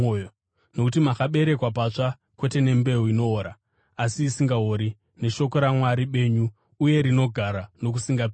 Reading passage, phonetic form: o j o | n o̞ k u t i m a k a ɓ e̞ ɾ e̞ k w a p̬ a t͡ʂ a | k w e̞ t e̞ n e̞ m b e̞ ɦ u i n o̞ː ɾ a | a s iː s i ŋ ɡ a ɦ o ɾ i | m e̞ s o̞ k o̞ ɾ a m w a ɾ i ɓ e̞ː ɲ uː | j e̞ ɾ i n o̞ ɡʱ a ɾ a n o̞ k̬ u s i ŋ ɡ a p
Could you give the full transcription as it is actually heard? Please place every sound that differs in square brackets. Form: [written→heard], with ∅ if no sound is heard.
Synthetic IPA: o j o | n o̞ k u t i m a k a ɓ e̞ ɾ e̞ k w a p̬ a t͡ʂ a | k w e̞ t e̞ n e̞ m b e̞ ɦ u i n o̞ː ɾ a | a s iː s i ŋ ɡ a ɦ o ɾ i | [m→n] e̞ [s→ʃ] o̞ k o̞ ɾ a m w a ɾ i ɓ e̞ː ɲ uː | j e̞ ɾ i n o̞ ɡʱ a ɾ a n o̞ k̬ u s i ŋ ɡ a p

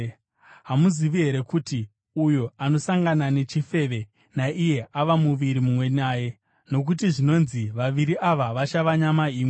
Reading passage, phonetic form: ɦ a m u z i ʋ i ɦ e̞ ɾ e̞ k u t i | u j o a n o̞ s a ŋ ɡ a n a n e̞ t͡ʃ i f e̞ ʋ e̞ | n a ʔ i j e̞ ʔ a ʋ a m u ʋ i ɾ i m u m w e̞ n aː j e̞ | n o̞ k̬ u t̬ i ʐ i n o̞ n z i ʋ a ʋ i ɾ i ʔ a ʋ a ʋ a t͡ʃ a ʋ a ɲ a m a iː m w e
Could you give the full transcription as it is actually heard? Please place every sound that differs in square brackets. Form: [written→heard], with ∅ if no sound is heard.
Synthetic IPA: ɦ a m u z i ʋ i ɦ e̞ ɾ e̞ k u t i | u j o a n o̞ s a ŋ ɡ a n a n e̞ t͡ʃ i f e̞ ʋ e̞ | n a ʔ i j e̞ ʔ a ʋ a m u ʋ i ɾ i m u m w e̞ n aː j e̞ | n o̞ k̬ u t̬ i ʐ i n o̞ n z i ʋ a ʋ i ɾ i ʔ a ʋ a ʋ a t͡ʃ a ʋ a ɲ a m a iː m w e

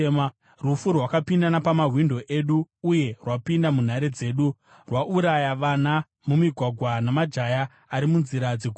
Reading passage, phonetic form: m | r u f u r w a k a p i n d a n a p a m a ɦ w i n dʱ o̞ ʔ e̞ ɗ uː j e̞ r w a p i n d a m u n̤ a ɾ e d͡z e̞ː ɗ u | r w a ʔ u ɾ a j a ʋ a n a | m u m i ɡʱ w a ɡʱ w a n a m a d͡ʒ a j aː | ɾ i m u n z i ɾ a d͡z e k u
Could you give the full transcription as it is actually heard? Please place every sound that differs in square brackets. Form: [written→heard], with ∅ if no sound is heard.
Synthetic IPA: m | r u f u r w a k a p i n d a n a p a m a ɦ w i n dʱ o̞ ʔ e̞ ɗ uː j e̞ r w a p i n d a m u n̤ a ɾ e d͡z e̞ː ɗ u | r w a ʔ u ɾ a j a ʋ a n a | m u m i ɡʱ w a ɡʱ w a n a m a d͡ʒ a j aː | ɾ i m u n z i ɾ a d͡z e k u

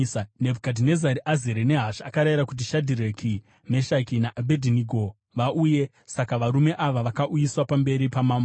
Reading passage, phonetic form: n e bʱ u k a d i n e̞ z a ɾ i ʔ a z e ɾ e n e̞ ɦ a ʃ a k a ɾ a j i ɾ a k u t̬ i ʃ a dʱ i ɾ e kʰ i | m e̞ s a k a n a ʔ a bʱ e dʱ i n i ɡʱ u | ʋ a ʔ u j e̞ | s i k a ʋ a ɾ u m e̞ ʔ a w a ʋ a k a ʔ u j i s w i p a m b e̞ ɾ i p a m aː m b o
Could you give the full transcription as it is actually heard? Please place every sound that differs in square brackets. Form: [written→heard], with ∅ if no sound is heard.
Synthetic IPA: n e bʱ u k a d i n e̞ z a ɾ i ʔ a z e ɾ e n e̞ ɦ a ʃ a k a ɾ a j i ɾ a k u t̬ i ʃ a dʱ i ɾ e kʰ i | m e̞ [s→ʃ] a k [a→i] n a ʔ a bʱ e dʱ i n i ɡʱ [u→o] | ʋ a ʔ u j e̞ | s [i→a] k a ʋ a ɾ u m e̞ ʔ a [w→ʋ] a ʋ a k a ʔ u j i s w [i→a] p a m b e̞ ɾ i p a m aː m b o

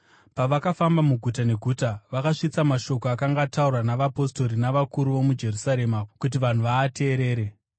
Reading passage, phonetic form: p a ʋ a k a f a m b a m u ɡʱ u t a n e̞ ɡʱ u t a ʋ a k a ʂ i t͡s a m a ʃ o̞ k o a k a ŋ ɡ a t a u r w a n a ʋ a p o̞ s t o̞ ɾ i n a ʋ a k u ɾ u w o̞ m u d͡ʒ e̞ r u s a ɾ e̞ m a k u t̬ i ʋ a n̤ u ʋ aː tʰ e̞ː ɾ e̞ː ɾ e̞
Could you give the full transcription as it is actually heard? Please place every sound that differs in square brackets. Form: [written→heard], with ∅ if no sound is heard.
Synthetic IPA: p a ʋ a k a f a m b a m u ɡʱ u t a n e̞ ɡʱ u t a ʋ a k a ʂ i t͡s a m a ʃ o̞ k o a k a ŋ ɡ a t a u r w a n a ʋ a p o̞ s t o̞ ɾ i n a ʋ a k u ɾ u [w→ʋ] o̞ m u d͡ʒ e̞ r u s a ɾ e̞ m a k u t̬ i ʋ a n̤ u ʋ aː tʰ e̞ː ɾ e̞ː ɾ e̞

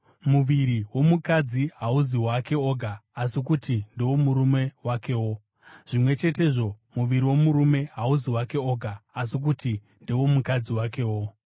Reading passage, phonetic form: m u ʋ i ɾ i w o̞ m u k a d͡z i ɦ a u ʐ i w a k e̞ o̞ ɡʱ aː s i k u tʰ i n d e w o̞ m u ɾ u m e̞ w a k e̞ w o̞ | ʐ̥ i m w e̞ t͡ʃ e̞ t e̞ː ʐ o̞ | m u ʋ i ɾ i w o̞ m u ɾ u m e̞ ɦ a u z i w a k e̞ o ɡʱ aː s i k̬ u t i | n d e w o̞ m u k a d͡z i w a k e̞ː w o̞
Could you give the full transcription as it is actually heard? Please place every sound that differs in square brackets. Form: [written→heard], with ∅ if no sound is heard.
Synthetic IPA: m u ʋ i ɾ i w o̞ m u k a d͡z i ɦ a u [ʐ→z] i w a k e̞ o̞ ɡʱ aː s i k u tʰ i n d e w o̞ m u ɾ u m e̞ w a k e̞ w o̞ | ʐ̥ i m w e̞ t͡ʃ e̞ t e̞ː ʐ o̞ | m u ʋ i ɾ i w o̞ m u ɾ u m e̞ ɦ a u z i w a k e̞ o ɡʱ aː s i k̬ u t i | n d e w o̞ m u k a d͡z i w a k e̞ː w o̞

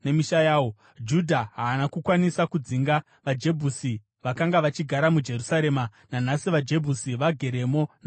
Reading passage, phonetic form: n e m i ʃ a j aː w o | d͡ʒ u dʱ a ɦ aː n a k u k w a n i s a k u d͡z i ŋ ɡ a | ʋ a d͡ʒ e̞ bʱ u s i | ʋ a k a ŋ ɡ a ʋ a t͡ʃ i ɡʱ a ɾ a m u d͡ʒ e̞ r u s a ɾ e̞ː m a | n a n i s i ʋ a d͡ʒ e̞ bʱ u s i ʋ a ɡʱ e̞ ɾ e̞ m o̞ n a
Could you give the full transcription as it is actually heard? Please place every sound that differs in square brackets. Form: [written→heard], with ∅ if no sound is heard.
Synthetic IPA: n e m i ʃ a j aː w o | d͡ʒ u dʱ a ɦ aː n a k u k w a n i s a k u d͡z i ŋ ɡ a | ʋ a d͡ʒ e̞ bʱ u s i | ʋ a k a ŋ ɡ a ʋ a t͡ʃ i ɡʱ a ɾ a m u d͡ʒ e̞ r u s a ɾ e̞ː m a | n a n [i→a] s i ʋ a d͡ʒ e̞ bʱ u s i ʋ a ɡʱ e̞ ɾ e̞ m o̞ n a

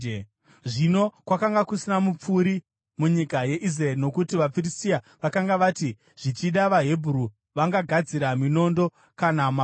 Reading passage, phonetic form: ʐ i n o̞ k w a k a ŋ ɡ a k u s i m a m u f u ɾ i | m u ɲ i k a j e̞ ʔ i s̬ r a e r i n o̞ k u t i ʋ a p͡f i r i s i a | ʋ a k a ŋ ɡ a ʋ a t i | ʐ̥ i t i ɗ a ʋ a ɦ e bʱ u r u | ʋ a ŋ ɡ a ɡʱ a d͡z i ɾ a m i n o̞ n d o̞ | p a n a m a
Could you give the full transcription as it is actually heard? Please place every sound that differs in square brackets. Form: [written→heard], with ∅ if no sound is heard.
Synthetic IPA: ʐ i n o̞ k w a k a ŋ ɡ a k u s i [m→n] a m u [f→p͡f] u ɾ i | m u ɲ i k a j e̞ ʔ i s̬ r a e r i n o̞ k u t i ʋ a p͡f i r i s i a | ʋ a k a ŋ ɡ a ʋ a t i | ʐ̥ i [t→t͡ʃ] i ɗ a ʋ a ɦ e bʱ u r u | ʋ a ŋ ɡ a ɡʱ a d͡z i ɾ a m i n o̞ n d o̞ | [p→k] a n a m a

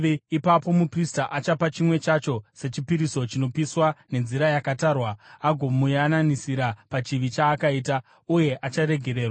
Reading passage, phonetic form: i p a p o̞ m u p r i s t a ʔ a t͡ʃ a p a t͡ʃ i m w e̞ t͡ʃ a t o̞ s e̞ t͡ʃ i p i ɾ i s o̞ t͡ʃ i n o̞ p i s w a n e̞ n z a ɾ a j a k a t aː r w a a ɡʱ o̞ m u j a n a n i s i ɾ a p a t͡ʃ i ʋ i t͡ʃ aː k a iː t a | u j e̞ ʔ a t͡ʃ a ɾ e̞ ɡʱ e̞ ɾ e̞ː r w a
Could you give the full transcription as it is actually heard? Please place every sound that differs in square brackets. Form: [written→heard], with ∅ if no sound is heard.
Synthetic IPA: i p a p o̞ m u p r i s t a ʔ a t͡ʃ a p a t͡ʃ i m w e̞ t͡ʃ a [t→t͡ʃ] o̞ s e̞ t͡ʃ i p i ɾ i s o̞ t͡ʃ i n o̞ p i s w a n e̞ n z [a→i] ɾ a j a k a t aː r w a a ɡʱ o̞ m u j a n a n i s i ɾ a p a t͡ʃ i ʋ i t͡ʃ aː k a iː t a | u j e̞ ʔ a t͡ʃ a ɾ e̞ ɡʱ e̞ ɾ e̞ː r w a

